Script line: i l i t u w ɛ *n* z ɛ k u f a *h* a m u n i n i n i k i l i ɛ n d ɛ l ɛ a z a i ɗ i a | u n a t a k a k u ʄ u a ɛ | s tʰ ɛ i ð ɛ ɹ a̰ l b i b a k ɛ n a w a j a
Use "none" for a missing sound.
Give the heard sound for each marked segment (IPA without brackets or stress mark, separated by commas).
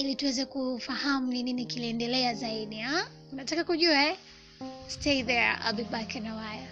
none, h